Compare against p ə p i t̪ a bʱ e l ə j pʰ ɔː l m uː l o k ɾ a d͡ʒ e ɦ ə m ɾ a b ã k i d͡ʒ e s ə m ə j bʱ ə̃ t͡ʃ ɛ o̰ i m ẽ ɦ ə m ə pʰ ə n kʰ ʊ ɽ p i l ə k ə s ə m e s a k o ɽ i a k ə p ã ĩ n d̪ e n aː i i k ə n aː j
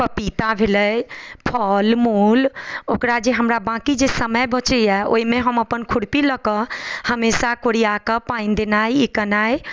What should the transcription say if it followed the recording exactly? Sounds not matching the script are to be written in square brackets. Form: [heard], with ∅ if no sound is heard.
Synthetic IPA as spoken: p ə p i t̪ a bʱ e l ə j pʰ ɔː l m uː l o k ɾ a d͡ʒ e ɦ ə m ɾ a b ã k i d͡ʒ e s ə m ə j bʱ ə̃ t͡ʃ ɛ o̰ i m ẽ ɦ ə m ə [p] ə n kʰ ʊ ɽ p i l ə k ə [h] ə m e s a k o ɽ i a k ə p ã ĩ n d̪ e n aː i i k ə n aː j